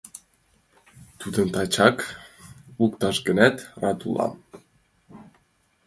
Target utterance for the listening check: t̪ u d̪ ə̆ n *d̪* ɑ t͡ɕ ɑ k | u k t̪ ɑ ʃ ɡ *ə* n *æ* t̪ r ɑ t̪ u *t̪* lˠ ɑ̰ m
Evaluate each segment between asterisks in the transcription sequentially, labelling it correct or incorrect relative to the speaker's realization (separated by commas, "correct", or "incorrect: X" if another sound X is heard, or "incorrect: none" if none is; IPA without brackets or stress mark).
incorrect: t̪, correct, correct, incorrect: none